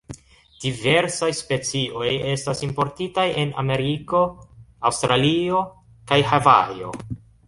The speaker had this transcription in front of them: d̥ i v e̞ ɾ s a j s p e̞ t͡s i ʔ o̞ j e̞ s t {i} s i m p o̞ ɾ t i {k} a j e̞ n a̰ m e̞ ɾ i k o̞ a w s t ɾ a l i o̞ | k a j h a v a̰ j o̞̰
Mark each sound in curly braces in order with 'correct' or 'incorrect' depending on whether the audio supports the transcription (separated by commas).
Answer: incorrect, incorrect